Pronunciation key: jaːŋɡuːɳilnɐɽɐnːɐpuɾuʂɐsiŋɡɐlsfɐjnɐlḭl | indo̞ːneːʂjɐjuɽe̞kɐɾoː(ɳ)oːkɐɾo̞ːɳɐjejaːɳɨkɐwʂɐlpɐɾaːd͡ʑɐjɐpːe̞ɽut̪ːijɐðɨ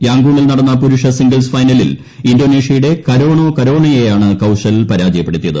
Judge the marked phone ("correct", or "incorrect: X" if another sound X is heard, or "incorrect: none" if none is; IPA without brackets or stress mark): correct